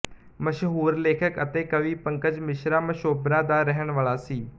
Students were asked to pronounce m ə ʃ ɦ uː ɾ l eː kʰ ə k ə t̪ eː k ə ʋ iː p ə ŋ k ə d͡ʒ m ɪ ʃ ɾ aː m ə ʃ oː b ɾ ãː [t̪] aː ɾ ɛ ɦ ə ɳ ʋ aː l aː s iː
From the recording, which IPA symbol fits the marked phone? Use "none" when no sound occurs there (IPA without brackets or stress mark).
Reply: d̪